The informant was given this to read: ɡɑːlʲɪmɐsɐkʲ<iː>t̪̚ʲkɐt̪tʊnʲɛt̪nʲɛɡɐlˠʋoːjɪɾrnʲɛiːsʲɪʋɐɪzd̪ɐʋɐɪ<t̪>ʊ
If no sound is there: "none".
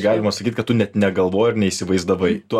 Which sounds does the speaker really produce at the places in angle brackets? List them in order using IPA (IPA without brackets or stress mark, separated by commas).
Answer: i, t̪